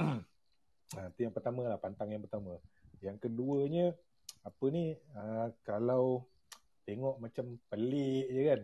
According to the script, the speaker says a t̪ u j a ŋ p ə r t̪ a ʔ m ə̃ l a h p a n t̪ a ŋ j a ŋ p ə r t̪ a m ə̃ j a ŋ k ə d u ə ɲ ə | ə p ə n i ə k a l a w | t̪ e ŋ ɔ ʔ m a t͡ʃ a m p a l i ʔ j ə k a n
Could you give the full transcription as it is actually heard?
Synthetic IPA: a t̪ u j a ŋ p ə r t̪ a m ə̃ l a h p a n t̪ a ŋ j a ŋ p ə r t̪ a m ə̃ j a ŋ k ə d u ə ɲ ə | a p ə n i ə k a l a w | t̪ e ŋ ɔ ʔ m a t͡ʃ a m p ə l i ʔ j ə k a n